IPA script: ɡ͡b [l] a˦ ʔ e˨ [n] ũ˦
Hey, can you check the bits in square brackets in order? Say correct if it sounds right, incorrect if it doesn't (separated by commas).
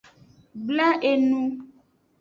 correct, correct